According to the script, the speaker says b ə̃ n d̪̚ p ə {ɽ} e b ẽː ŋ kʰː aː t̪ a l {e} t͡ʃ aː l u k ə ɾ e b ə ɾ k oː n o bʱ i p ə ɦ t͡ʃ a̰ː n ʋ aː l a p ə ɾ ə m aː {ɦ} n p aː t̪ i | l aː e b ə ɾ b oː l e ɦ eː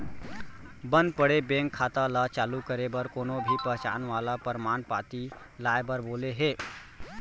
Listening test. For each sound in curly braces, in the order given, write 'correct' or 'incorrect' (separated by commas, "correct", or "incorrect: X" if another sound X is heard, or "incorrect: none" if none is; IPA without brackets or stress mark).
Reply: correct, incorrect: a, incorrect: none